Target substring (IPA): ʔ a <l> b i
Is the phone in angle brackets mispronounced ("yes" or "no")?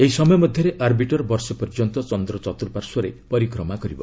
yes